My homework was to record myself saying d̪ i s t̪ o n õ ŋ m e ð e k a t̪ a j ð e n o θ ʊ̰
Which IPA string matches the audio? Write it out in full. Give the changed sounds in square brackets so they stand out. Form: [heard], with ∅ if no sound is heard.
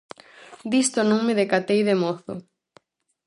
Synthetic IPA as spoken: d̪ i s t̪ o n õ ŋ m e ð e k a t̪ [e] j ð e [m] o θ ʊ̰